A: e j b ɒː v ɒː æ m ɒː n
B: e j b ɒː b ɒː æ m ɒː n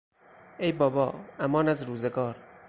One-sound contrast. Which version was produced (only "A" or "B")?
B